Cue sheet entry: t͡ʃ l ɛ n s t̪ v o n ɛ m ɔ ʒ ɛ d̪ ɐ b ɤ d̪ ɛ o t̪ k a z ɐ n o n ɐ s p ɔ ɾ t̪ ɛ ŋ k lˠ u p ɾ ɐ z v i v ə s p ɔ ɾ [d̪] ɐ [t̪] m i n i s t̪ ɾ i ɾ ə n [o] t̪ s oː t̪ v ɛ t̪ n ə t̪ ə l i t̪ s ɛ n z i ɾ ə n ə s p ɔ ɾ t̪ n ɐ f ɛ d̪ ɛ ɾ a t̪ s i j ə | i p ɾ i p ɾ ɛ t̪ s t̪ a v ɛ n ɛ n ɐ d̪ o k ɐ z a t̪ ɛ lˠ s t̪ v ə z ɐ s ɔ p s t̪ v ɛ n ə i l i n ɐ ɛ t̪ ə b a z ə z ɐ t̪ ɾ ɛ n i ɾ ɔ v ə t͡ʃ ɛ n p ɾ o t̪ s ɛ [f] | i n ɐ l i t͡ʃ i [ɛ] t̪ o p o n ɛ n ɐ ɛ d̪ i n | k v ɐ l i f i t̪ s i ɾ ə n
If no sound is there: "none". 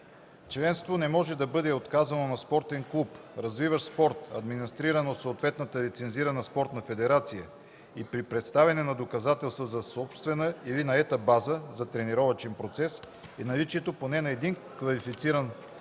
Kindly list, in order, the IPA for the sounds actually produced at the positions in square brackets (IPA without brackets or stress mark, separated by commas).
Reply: t̪, d̪, o, s, ɛ